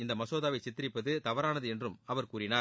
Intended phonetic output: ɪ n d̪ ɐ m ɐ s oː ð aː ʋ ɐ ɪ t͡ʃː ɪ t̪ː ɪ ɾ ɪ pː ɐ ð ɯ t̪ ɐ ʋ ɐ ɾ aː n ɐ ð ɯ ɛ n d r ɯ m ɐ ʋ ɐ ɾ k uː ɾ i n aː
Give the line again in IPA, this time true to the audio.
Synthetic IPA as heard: ɪ n d̪ ɐ m ɐ s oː ð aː ʋ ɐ ɪ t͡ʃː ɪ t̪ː ɪ ɾ ɪ pː ɐ ð ɯ t̪ ɐ ʋ ɐ ɾ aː n ɐ ð ɯ ɛ n d r ɯ m ɐ ʋ ɐ ɾ k uː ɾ ɪ n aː

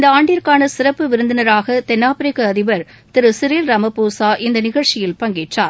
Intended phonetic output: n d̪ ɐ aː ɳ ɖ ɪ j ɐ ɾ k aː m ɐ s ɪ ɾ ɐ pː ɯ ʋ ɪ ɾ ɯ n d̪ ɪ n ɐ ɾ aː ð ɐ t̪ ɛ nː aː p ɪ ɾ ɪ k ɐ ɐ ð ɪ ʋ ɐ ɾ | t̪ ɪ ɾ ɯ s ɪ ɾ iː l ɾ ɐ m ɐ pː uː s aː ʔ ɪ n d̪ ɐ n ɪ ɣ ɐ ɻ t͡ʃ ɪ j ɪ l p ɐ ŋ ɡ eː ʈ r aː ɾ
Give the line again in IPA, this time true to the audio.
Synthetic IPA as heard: n d̪ ɐ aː ɳ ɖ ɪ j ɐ ɾ k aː n ɐ s ɪ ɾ ɐ pː ɯ ʋ ɪ ɾ ɯ n d̪ ɪ n ɐ ɾ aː ɣ ɐ t̪ ɛ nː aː p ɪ ɾ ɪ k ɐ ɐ ð ɪ ʋ ɐ ɾ | t̪ ɪ ɾ ɯ s ɪ ɾ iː l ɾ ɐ m ɐ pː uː s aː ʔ ɪ n d̪ ɐ n ɪ ɣ ɐ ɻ t͡ʃ ɪ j ɪ l p ɐ ŋ ɡ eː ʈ r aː ɾ

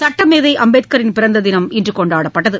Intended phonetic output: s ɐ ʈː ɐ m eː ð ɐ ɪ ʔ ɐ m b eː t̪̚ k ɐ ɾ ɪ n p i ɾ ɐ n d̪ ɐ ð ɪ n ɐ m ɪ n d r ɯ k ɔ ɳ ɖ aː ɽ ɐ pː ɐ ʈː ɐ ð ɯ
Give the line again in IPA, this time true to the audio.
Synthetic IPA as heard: s ɐ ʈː ɐ m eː ð ɐ ɪ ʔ ɐ m b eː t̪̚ k ɐ ɾ ɪ n p ɪ ɾ ɐ n d̪ ɐ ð ɪ n ɐ m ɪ n d r ɯ k ɔ ɳ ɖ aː ɽ ɐ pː ɐ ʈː ɐ ð ɯ

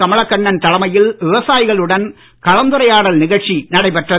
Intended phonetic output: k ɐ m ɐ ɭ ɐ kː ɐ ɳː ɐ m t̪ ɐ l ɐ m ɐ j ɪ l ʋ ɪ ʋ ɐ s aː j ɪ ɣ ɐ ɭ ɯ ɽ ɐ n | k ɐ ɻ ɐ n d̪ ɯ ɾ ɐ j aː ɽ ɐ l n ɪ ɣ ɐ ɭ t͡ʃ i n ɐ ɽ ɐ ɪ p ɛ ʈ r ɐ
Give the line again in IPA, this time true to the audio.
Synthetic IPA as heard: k ɐ m ɐ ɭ ɐ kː ɐ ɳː ɐ n t̪ ɐ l ɐ m ɐ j ɪ l ʋ ɪ ʋ ɐ s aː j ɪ ɣ ɐ ɭ ɯ ɽ ɐ n | k ɐ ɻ ɐ n d̪ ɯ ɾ ɐ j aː ɽ ɐ l n ɪ ɣ ɐ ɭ t͡ʃ i n ɐ ɽ ɐ ɪ p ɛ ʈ r ɐ

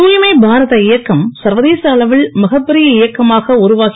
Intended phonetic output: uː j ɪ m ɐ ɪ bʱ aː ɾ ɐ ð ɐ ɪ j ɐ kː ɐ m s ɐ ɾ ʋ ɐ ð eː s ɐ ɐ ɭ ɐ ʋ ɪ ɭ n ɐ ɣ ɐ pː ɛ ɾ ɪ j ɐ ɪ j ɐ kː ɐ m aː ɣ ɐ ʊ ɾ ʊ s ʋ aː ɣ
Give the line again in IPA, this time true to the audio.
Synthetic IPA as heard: uː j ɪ m ɐ ɪ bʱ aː ɾ ɐ ð ɐ ɪ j ɐ kː ɐ m s ɐ ɾ ʋ ɐ ð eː s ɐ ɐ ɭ ɐ ʋ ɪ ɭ m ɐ ɣ ɐ pː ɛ ɾ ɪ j ɐ ɪ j ɐ kː ɐ m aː ɣ ɐ ʊ ɾ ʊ ʋ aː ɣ

